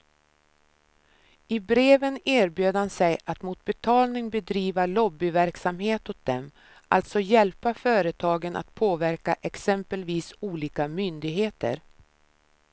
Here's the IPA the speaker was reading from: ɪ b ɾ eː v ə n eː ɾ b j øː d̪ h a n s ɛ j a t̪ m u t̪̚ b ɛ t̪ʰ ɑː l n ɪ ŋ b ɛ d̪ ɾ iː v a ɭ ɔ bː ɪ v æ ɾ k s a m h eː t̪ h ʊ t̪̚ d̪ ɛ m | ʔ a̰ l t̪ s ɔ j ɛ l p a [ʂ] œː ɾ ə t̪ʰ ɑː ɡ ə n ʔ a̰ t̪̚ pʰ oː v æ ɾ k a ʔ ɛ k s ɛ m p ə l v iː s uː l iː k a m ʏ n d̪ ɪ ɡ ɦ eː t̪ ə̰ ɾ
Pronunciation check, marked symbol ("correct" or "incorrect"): incorrect